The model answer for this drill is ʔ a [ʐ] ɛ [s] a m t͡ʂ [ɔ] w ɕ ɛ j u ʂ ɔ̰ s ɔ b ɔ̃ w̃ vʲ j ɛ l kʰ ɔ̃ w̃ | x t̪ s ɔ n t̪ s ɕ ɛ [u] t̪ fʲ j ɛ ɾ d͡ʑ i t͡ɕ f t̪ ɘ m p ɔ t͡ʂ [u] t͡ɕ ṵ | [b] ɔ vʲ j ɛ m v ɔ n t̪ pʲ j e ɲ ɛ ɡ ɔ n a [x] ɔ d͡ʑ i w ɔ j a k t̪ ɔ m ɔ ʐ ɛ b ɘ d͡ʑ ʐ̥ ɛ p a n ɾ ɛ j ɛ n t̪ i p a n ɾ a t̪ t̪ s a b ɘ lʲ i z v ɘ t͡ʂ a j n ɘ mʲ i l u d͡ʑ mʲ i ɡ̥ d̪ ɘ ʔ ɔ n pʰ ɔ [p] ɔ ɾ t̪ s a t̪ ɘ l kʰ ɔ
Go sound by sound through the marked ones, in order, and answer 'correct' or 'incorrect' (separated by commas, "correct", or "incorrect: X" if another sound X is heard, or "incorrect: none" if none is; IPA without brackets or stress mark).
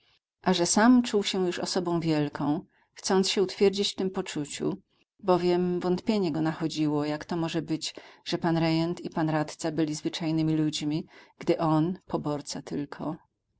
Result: correct, correct, incorrect: u, correct, correct, correct, correct, incorrect: b